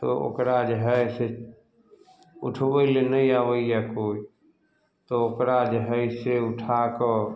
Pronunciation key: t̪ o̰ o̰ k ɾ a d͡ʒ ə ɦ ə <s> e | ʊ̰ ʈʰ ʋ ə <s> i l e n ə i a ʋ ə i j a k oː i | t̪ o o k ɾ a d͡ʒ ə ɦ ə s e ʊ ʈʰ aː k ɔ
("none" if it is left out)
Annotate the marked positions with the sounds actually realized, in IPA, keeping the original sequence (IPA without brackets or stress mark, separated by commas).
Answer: s, none